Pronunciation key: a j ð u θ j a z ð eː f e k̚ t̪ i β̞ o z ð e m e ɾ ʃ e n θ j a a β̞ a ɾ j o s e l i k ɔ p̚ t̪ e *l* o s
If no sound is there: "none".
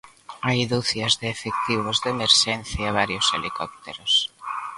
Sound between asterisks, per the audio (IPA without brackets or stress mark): ɾ